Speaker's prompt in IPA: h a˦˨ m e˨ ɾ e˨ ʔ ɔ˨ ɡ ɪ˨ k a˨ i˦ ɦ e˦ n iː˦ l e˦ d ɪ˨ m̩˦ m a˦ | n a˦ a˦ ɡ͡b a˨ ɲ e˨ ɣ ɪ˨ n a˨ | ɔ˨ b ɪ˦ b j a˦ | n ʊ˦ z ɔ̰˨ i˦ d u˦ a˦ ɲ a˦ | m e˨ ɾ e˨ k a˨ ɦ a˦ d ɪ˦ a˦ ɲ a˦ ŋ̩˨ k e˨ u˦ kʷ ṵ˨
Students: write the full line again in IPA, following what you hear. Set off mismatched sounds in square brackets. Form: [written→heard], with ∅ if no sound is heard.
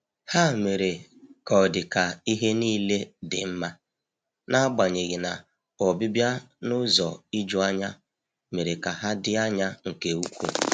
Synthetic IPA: h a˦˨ m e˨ ɾ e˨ [ʔ→k] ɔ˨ [ɡ→d] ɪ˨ k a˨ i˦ ɦ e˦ n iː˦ l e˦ d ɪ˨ m̩˦ m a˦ | n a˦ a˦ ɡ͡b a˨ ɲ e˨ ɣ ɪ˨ n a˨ | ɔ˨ b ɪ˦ b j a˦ | n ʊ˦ z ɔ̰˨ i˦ [d→d͡ʒ] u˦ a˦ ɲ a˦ | m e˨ ɾ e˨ k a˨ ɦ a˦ d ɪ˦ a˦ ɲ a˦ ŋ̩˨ k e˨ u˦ kʷ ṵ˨